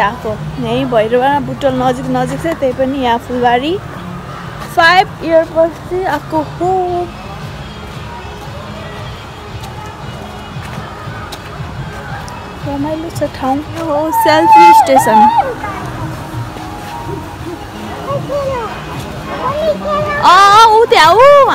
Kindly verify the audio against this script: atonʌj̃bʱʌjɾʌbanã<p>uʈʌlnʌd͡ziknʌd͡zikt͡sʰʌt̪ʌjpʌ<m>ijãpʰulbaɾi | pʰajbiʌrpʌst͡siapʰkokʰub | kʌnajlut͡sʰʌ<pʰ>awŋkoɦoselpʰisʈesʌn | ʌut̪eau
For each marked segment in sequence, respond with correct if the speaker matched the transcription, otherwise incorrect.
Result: incorrect: b, incorrect: n, incorrect: ʈʰ

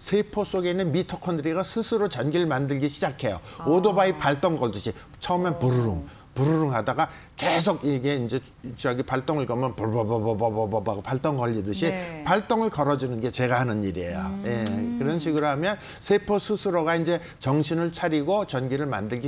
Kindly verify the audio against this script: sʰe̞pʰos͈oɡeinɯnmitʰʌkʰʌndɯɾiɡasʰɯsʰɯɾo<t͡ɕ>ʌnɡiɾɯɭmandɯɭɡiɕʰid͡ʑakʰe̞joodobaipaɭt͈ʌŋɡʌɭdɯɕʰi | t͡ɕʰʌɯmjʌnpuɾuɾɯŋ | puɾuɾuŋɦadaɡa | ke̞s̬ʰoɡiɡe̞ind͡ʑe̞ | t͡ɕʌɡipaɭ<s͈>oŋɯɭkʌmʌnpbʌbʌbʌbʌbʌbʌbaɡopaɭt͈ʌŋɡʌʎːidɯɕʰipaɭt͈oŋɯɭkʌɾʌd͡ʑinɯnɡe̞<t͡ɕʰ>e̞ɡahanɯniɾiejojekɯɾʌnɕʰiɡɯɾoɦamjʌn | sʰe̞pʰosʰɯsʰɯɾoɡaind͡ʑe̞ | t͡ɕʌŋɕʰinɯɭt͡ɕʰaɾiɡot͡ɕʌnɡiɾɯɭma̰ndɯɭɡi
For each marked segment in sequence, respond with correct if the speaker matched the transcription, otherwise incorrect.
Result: correct, incorrect: t͈, incorrect: t͡ɕ

